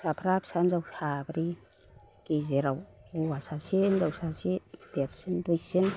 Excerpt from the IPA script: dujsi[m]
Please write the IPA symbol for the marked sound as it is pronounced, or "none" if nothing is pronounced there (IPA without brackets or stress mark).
n